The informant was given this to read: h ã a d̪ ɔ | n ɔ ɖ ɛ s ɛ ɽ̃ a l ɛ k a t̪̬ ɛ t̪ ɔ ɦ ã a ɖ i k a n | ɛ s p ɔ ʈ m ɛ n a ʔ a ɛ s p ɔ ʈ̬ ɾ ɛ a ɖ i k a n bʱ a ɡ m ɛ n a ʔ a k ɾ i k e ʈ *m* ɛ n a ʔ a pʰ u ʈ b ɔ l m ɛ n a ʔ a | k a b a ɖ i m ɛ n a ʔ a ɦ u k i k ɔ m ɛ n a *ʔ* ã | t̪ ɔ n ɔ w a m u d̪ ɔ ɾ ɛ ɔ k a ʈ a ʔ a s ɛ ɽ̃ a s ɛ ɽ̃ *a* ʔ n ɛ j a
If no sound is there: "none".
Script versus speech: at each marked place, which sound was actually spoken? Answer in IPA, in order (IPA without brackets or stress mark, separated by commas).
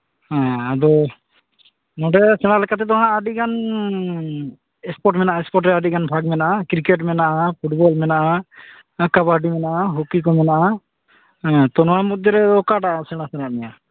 m, ʔ, a